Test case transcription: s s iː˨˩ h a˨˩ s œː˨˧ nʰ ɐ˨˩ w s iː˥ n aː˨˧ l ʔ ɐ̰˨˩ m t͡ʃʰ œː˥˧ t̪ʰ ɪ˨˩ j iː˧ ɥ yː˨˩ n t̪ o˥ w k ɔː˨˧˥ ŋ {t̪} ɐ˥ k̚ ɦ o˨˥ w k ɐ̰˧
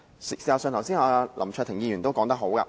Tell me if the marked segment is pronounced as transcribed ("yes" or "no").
yes